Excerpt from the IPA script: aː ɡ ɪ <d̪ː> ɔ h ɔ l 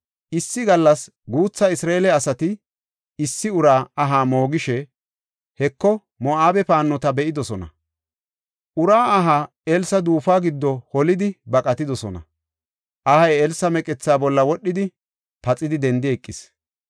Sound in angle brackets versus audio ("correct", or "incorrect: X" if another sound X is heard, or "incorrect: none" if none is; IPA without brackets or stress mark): correct